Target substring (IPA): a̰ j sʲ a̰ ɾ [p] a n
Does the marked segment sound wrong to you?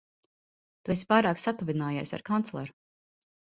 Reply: yes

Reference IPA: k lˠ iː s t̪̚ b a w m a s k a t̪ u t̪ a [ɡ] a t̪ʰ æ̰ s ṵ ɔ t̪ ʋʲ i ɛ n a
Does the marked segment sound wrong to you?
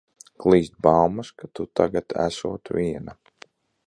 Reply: no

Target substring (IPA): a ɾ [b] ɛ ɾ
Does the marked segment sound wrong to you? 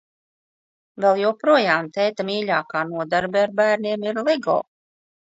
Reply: no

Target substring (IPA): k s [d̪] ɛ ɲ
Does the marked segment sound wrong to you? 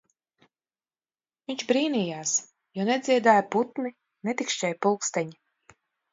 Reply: yes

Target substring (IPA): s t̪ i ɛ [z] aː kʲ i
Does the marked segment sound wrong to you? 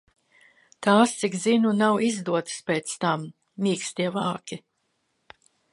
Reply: yes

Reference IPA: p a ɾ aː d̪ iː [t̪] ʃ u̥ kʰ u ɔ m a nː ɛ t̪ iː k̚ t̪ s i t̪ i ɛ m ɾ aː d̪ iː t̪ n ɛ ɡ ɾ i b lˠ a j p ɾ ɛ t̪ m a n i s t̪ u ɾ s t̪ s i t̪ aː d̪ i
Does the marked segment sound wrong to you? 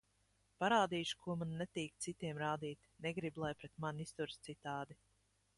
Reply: yes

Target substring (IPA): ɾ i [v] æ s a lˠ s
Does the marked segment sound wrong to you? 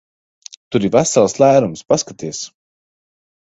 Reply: no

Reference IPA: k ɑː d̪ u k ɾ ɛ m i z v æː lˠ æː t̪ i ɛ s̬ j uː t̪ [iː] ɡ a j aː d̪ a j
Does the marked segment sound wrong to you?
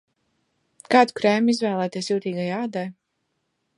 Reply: no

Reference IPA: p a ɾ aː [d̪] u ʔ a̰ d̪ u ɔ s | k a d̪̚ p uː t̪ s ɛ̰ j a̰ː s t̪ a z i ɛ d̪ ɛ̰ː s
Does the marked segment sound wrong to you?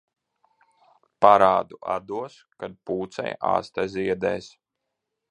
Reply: no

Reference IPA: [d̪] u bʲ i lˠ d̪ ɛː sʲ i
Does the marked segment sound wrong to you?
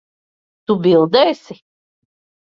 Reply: yes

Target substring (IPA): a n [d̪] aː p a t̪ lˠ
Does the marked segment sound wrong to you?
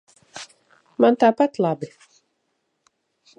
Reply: yes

